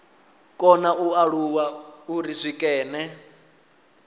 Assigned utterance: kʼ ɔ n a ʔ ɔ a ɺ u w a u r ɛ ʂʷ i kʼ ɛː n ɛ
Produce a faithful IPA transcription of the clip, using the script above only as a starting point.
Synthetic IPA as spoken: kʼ ɔ n a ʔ u a ɺ u w a u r i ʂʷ i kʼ ɛː n ɛ